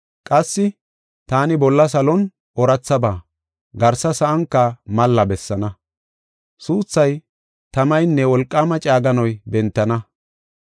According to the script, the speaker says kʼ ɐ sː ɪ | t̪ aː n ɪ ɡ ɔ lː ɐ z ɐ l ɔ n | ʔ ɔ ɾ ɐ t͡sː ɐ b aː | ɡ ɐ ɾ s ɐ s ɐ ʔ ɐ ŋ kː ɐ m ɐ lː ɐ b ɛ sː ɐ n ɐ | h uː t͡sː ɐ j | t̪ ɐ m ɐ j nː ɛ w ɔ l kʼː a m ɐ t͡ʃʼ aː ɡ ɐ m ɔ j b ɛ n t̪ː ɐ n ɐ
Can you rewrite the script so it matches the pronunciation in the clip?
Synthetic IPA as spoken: kʼ ɐ sː ɪ | t̪ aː n ɪ b ɔ lː ɐ s ɐ l ɔ n | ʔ ɔ ɾ ɐ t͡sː ɐ b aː | ɡ ɐ ɾ s ɐ s ɐ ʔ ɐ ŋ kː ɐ m ɐ lː ɐ b ɛ sː ɐ n ɐ | s uː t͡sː ɐ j | t̪ ɐ m ɐ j nː ɛ w ɔ l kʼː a m ɐ t͡ʃʼ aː ɡ ɐ n ɔ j b ɛ n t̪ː ɐ n ɐ